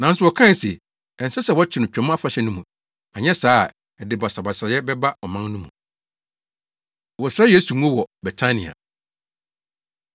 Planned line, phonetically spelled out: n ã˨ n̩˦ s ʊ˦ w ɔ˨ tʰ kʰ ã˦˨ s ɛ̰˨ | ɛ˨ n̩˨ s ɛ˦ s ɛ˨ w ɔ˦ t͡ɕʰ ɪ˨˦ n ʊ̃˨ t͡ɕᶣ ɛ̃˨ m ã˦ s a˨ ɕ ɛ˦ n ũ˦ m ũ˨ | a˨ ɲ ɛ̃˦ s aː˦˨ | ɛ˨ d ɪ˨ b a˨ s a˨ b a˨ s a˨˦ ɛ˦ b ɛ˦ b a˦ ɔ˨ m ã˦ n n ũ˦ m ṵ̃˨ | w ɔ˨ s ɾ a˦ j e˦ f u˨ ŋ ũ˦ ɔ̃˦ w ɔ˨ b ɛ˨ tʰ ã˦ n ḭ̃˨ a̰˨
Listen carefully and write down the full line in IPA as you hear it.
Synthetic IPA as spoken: n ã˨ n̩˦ s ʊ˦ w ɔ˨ kʰ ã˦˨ s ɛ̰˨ | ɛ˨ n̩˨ s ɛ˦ s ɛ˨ w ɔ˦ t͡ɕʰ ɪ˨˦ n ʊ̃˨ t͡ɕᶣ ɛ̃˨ m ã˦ f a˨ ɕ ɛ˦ n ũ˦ m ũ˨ | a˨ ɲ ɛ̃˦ s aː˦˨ | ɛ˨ d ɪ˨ b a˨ s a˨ b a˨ s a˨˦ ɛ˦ b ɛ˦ b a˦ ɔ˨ m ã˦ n n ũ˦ m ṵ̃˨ | w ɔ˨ s ɾ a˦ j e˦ s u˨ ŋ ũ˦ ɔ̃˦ w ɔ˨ b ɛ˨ tʰ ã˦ n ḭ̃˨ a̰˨